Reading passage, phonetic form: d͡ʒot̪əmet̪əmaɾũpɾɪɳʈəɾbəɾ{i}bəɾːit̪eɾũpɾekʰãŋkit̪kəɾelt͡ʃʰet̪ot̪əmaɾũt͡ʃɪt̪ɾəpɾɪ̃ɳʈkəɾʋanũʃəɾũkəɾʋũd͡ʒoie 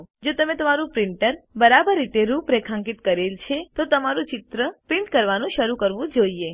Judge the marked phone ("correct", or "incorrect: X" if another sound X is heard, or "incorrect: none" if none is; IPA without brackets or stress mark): incorrect: a